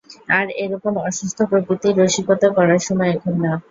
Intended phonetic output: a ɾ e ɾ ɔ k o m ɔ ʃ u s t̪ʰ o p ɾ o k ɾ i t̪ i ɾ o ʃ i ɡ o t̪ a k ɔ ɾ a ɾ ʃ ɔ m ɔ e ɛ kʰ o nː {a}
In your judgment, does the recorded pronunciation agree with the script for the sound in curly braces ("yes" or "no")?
yes